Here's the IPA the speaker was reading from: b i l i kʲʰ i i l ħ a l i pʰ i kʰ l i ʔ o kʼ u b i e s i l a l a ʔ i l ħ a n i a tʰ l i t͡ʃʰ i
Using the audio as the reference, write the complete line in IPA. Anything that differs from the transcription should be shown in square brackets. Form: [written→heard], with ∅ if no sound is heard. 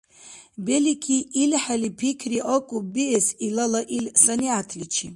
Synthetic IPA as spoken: b [i→e] l i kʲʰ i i l ħ a l i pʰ i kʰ [l→r] i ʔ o kʼ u b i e s i l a l a ʔ i l [ħ→s] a n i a tʰ l i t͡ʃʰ i

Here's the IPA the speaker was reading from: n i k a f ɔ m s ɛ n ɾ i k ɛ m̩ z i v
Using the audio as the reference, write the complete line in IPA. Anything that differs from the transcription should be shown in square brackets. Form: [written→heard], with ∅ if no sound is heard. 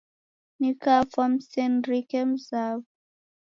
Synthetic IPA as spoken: n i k a f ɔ m s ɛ n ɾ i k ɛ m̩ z [i→a] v

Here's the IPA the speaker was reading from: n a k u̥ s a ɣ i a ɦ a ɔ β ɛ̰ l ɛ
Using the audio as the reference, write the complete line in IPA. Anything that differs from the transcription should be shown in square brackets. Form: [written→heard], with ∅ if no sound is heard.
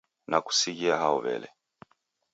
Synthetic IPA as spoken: n a k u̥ s [a→i] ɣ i a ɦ a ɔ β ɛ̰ l ɛ

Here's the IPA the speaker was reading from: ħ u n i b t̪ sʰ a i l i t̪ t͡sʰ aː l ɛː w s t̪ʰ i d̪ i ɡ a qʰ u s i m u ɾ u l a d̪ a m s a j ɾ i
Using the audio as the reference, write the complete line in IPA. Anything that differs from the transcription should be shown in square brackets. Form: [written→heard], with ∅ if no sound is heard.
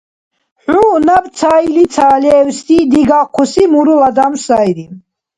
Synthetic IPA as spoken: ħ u n [i→a] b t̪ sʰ a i l i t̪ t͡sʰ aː l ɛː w s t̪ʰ i d̪ i ɡ a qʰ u s i m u ɾ u l a d̪ a m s a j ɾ i

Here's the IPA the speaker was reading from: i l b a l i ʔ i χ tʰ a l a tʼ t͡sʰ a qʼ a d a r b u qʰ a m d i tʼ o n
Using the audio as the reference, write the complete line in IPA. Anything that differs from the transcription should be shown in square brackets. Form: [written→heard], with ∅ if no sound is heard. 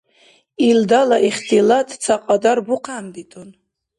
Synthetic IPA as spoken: i l [b→d] a l [i→a] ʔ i χ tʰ [a→i] l a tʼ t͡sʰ a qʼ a d a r b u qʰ a m d i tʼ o n

